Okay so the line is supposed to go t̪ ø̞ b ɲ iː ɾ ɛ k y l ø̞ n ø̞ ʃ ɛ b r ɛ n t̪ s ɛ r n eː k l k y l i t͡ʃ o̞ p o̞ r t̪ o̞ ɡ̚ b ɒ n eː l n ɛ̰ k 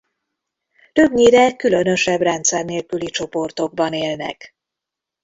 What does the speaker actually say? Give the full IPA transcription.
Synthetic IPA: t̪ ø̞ b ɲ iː ɾ ɛ k y l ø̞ n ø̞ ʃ ɛ b r ɛ n t̪ s ɛ r n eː l k y l i t͡ʃ o̞ p o̞ r t̪ o̞ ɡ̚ b ɒ n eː l n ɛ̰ k